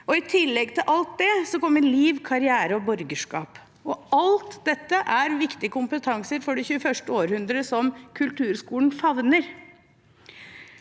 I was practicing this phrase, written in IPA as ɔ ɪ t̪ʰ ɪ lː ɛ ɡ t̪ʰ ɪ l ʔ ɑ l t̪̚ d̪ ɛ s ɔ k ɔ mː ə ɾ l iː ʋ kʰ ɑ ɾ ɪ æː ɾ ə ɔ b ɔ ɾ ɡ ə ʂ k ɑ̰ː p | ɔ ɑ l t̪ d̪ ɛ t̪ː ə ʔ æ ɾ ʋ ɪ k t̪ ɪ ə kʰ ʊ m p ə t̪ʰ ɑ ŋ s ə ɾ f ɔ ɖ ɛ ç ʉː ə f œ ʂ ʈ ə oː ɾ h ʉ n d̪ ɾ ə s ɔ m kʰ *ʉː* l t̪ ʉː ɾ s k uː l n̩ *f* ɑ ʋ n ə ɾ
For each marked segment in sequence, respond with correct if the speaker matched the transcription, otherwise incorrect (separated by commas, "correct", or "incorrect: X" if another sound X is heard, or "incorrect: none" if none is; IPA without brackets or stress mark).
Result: incorrect: ʉ, correct